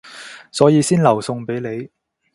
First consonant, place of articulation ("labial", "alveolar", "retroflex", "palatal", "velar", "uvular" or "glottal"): alveolar